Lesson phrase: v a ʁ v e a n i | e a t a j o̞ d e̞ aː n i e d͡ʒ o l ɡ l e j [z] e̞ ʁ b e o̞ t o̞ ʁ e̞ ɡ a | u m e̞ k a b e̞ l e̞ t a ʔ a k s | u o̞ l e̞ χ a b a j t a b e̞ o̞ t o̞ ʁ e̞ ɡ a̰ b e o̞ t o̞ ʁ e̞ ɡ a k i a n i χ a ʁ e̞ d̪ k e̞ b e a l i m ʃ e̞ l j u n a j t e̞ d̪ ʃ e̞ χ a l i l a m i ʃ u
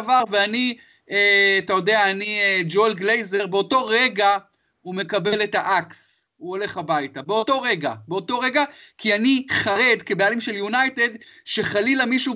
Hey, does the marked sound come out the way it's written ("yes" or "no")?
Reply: yes